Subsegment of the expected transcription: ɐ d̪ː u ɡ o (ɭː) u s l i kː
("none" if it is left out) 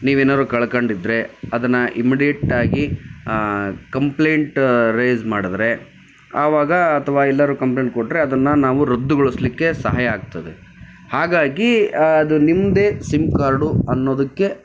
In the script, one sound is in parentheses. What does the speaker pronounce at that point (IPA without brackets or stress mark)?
ɭ